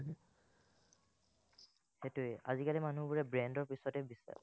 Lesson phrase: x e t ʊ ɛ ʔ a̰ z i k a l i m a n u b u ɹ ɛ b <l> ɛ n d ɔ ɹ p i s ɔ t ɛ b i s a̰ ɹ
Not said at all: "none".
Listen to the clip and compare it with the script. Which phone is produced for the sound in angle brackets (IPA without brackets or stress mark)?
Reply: ɹ